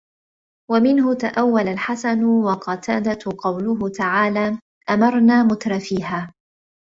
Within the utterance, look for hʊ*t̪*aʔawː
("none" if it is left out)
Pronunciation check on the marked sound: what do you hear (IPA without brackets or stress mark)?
t̪